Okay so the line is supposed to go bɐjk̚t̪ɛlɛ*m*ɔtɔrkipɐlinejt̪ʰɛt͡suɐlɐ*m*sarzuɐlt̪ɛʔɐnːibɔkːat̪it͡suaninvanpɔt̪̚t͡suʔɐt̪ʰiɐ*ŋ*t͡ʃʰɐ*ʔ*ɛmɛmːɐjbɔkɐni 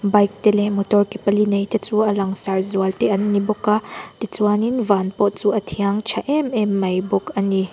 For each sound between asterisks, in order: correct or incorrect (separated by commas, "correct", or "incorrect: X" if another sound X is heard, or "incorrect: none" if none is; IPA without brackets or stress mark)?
correct, incorrect: ŋ, correct, correct